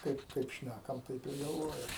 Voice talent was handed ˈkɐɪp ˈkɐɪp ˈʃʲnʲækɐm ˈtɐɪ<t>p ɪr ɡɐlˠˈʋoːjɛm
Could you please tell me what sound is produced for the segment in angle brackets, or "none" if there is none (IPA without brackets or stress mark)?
none